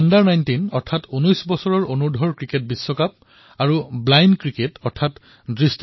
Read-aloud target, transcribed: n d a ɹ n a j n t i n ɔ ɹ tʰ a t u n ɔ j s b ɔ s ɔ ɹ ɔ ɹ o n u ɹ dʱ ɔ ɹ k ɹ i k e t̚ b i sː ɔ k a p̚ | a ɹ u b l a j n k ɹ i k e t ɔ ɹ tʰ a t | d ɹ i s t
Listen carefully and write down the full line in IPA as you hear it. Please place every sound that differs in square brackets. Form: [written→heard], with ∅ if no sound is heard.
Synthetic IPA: n d a ɹ n a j n t i n ɔ ɹ tʰ a t u n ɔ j s b ɔ s ɔ ɹ ɔ ɹ o n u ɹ dʱ ɔ ɹ k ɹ i k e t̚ b i sː ɔ k a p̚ | a ɹ u b l a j n k ɹ i k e t ɔ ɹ tʰ a t | d ɹ i s t